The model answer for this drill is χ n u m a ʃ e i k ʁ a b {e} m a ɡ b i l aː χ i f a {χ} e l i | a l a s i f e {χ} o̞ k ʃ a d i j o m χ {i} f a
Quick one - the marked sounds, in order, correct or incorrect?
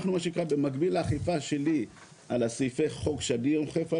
correct, incorrect: ʃ, correct, incorrect: e

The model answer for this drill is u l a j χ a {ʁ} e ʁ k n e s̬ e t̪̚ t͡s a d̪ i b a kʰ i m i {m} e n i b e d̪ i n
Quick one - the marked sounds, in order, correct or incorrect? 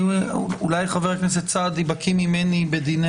incorrect: v, correct

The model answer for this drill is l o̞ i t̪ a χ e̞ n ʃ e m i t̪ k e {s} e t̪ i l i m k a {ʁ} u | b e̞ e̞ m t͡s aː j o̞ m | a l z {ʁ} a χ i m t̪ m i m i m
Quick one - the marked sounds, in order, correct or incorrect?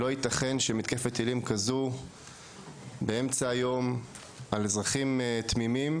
incorrect: f, incorrect: z, correct

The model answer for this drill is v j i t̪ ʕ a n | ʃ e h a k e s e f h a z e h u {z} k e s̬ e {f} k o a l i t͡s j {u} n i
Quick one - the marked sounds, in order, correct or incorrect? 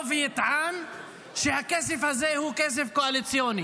incorrect: none, correct, incorrect: o

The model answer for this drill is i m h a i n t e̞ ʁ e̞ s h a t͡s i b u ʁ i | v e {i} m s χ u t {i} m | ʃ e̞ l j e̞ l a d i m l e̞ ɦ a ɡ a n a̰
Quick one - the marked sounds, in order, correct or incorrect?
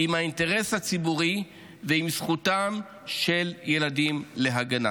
correct, incorrect: a

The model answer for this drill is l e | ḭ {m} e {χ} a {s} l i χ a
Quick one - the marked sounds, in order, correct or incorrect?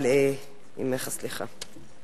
correct, correct, correct

